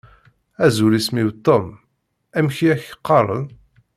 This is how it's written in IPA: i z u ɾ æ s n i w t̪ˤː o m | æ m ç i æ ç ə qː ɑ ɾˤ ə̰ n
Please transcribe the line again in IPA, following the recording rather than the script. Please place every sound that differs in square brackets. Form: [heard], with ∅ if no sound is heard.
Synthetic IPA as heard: [æ] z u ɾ [i] s [m] i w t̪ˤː o m | æ m ç i æ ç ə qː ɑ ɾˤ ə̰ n